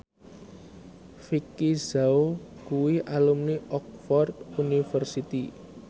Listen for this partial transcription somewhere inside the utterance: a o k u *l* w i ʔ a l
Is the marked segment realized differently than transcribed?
yes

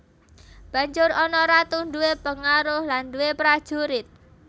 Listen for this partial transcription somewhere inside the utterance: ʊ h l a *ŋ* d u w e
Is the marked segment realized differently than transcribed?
yes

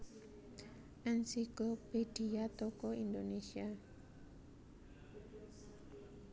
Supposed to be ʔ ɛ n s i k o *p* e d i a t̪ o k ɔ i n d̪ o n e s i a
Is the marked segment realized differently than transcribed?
no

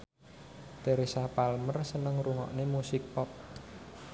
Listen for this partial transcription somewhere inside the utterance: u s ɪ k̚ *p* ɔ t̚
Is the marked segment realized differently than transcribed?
no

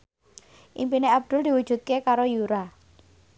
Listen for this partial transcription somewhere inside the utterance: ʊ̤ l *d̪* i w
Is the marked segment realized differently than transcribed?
no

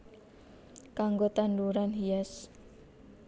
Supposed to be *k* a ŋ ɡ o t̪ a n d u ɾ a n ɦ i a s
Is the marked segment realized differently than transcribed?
no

